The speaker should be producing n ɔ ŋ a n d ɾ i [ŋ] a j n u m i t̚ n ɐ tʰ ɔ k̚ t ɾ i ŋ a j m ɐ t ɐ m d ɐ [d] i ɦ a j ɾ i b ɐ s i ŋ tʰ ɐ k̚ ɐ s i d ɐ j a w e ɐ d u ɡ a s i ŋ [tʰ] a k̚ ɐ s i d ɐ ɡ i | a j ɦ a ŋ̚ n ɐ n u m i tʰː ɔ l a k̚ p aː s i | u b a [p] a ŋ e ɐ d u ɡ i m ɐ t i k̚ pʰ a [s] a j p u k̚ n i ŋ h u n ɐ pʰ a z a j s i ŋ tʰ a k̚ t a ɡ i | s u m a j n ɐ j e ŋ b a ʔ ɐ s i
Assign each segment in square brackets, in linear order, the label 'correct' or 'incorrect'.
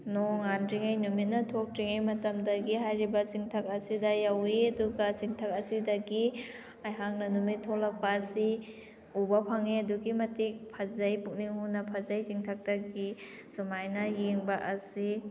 correct, incorrect: ɡ, correct, incorrect: pʰ, incorrect: z

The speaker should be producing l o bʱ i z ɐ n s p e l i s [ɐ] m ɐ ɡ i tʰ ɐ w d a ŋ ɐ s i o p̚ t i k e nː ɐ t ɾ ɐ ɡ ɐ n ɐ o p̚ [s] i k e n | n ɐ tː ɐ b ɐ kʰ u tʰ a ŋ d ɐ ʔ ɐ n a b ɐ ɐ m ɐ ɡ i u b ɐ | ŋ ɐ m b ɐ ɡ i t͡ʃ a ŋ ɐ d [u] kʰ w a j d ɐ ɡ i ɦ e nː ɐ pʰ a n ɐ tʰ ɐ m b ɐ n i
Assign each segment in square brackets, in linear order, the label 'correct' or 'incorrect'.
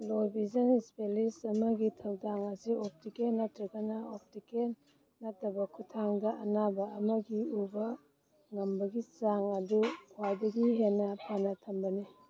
correct, incorrect: t, correct

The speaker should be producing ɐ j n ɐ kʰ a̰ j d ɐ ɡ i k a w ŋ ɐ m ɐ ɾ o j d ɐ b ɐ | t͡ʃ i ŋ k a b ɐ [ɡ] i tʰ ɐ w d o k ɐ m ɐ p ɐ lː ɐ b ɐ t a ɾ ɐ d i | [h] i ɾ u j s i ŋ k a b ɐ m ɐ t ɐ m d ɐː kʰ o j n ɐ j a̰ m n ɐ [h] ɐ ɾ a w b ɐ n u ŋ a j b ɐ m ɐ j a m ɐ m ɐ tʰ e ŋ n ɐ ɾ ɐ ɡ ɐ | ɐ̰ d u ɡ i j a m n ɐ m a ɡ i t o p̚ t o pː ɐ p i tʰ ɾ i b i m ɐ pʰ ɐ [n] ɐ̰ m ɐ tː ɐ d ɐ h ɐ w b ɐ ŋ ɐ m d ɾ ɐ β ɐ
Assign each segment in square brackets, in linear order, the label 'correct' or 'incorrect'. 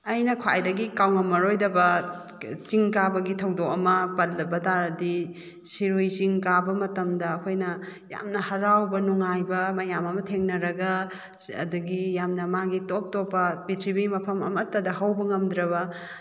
correct, incorrect: s, correct, incorrect: m

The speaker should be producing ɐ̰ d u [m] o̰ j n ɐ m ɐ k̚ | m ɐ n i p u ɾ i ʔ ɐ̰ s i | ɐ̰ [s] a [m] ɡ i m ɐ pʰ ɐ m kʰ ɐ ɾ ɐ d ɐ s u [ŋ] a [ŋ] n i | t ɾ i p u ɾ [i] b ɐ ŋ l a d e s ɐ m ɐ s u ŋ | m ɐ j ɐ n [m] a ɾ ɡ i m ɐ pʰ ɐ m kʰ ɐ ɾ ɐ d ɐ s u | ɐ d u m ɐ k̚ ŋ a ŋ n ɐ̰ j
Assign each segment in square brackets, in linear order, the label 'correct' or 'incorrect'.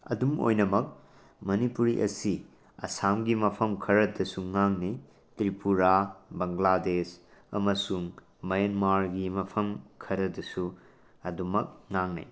correct, correct, correct, correct, correct, incorrect: a, correct

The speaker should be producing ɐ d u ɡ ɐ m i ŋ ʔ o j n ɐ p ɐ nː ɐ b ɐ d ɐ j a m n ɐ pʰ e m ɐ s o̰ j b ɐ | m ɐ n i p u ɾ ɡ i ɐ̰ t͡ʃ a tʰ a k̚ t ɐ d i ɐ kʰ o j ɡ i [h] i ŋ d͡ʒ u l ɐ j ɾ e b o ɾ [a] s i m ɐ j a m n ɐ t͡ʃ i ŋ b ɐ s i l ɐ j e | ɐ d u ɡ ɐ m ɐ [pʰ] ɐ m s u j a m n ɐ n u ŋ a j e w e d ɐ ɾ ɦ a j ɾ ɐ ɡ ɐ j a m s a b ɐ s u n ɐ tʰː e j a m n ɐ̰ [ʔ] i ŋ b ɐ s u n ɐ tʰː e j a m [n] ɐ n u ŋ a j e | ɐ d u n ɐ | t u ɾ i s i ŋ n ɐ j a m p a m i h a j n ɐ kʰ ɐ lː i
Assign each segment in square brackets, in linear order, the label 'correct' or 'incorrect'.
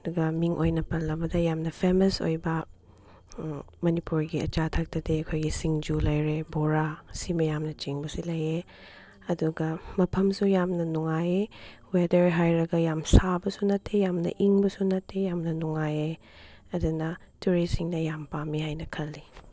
incorrect: s, correct, correct, correct, correct

